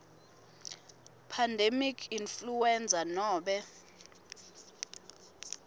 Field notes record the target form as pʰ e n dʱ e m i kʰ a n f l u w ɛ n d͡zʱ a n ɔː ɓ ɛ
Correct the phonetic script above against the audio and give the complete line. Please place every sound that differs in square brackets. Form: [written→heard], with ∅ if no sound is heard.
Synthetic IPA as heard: pʰ [e→a] n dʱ e m i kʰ [a→i] n f l u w ɛ n d͡zʱ a n ɔː ɓ ɛ